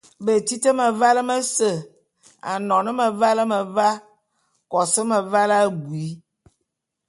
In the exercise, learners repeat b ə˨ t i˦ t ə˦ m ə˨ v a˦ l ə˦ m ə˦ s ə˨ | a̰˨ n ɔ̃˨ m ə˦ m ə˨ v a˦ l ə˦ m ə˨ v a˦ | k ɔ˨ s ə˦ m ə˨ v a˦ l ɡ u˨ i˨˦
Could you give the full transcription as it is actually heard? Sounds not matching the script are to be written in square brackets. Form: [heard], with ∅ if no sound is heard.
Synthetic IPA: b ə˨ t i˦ t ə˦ m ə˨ v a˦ l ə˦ m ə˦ s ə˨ | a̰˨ n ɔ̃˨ [n] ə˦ m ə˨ v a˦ l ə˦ m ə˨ v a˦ | k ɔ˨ s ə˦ m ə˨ v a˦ l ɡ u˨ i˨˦